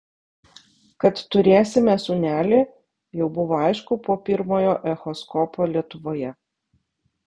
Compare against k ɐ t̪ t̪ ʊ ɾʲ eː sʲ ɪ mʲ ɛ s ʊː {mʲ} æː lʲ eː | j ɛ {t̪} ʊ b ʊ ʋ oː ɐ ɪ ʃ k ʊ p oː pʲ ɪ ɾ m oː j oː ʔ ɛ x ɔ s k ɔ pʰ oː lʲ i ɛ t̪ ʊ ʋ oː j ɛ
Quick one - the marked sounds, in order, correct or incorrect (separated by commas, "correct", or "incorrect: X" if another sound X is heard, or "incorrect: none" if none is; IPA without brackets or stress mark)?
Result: incorrect: nʲ, incorrect: none